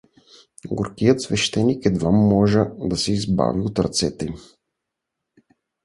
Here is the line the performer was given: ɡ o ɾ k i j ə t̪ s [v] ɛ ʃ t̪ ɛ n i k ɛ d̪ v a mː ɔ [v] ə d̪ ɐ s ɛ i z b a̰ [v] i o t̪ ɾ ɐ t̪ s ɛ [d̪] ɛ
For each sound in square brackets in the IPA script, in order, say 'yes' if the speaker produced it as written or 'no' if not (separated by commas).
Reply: yes, no, yes, no